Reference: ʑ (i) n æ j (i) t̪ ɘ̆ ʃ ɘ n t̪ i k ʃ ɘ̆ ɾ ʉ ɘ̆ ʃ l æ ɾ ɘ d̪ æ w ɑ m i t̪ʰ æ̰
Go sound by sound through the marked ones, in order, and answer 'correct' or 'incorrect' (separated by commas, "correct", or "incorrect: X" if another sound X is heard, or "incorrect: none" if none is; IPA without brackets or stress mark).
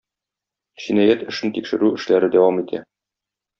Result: correct, incorrect: æ